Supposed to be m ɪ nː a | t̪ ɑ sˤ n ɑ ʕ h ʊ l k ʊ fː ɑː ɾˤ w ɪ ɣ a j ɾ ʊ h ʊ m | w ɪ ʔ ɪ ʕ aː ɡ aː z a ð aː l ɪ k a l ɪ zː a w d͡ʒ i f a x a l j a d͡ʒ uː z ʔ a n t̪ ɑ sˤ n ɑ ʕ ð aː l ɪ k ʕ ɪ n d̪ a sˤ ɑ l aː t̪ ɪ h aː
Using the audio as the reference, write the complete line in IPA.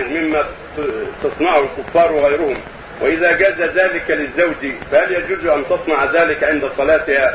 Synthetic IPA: m ɪ mː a | t̪ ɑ sˤ n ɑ ʕ h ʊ l k ʊ fː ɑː ɾˤ w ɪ ɣ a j ɾ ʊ h ʊ m | w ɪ ʔ ɪ ð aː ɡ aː z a ð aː l ɪ k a l ɪ zː a w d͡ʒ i f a h a l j a d͡ʒ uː z ʔ a n t̪ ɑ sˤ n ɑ ʕ ð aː l ɪ k ʕ ɪ n d̪ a sˤ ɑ l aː t̪ ɪ h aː